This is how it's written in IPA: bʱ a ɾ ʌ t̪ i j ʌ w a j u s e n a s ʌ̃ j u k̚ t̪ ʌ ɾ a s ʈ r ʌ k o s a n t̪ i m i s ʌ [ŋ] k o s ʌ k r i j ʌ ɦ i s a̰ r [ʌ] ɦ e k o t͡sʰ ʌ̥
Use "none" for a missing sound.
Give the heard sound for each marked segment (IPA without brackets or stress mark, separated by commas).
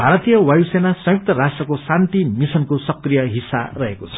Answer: n, ʌ